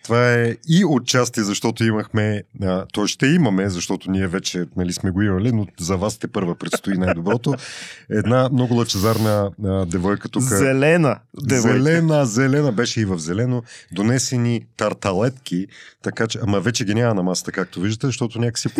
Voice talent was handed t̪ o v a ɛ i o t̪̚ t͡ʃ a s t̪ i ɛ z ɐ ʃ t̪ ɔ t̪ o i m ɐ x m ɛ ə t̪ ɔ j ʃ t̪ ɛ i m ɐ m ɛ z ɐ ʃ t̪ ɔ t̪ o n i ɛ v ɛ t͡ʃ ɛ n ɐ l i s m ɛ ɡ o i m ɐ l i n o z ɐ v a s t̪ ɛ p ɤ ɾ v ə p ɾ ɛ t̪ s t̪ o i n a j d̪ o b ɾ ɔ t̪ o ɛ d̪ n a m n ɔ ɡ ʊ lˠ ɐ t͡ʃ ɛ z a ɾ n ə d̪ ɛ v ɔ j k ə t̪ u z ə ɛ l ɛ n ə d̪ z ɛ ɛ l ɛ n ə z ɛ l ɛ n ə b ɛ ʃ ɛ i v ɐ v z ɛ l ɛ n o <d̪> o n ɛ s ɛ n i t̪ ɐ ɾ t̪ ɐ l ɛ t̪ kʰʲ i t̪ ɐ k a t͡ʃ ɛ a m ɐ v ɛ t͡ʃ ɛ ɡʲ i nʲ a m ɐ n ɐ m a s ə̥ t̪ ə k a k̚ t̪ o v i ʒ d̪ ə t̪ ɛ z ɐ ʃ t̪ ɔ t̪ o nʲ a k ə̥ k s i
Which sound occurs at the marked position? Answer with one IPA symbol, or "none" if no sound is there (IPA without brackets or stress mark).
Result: d̪